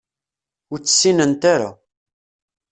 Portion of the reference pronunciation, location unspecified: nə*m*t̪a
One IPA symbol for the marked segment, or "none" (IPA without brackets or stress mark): n